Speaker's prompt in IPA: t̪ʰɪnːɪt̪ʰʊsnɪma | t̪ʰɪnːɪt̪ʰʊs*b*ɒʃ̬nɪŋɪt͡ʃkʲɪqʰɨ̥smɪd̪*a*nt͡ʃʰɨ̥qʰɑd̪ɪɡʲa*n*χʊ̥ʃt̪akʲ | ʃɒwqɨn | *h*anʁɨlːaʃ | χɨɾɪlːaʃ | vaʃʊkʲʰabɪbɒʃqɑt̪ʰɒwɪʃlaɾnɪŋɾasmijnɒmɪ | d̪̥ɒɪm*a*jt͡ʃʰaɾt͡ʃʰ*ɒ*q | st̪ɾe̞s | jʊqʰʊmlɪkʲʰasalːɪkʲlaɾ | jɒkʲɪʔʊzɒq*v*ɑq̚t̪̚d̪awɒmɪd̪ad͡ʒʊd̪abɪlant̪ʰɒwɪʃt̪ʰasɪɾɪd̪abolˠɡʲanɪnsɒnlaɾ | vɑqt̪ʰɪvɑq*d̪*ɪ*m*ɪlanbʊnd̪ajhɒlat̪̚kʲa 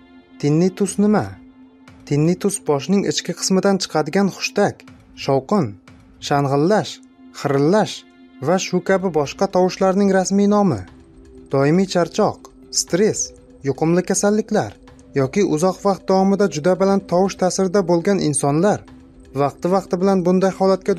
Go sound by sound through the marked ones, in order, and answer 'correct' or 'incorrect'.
correct, correct, correct, incorrect: ʃ, incorrect: i, correct, correct, incorrect: t̪, incorrect: b

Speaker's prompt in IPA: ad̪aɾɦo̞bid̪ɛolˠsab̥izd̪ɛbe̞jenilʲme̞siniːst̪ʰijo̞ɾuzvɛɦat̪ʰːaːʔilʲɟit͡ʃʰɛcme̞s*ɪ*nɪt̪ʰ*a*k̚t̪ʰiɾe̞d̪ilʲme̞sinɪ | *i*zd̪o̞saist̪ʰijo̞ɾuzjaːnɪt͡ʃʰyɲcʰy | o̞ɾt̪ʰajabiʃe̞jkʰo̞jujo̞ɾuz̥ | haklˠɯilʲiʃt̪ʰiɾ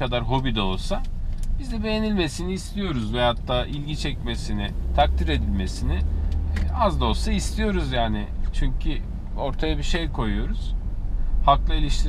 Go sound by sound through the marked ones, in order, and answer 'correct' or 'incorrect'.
incorrect: i, correct, incorrect: a

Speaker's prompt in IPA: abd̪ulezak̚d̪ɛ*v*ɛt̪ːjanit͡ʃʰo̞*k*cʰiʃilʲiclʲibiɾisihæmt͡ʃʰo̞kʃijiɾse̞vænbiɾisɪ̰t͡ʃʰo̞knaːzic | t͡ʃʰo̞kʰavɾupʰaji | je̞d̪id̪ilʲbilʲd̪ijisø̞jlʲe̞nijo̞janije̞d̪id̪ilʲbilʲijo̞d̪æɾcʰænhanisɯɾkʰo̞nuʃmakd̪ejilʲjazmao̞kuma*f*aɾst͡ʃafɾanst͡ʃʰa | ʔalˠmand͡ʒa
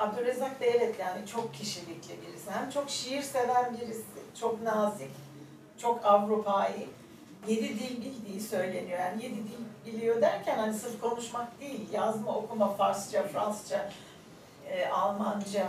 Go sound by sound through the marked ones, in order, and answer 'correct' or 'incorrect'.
correct, correct, correct

